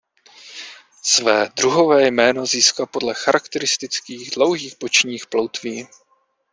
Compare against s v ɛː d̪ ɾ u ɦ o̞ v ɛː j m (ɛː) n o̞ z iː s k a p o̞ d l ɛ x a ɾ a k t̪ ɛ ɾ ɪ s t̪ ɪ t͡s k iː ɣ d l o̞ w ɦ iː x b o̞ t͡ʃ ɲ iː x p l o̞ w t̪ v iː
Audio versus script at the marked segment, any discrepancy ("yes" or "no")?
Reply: no